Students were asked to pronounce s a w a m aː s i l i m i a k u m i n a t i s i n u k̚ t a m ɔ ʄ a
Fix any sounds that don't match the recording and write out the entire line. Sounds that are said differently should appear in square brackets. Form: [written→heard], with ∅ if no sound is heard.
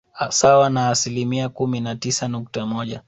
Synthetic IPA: s a w a [m→n] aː s i l i m i a k u m i n a t i s [i→a] n u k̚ t a m ɔ ʄ a